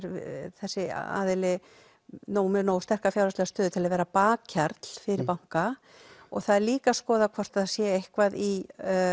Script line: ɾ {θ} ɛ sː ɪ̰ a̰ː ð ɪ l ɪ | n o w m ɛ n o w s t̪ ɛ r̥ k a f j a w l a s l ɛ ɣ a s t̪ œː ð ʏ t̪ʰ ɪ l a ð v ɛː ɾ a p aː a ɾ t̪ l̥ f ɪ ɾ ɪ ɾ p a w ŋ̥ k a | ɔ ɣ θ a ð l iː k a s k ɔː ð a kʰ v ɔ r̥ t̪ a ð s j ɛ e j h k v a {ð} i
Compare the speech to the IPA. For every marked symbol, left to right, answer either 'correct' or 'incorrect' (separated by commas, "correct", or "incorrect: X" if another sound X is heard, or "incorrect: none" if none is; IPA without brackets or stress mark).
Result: correct, correct